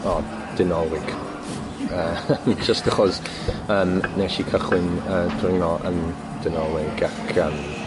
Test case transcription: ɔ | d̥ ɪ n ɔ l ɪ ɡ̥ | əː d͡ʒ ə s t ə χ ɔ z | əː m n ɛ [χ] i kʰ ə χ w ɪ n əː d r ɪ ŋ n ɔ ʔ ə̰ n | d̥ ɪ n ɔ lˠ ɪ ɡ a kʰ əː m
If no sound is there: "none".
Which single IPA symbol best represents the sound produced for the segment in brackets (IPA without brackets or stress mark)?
ʃ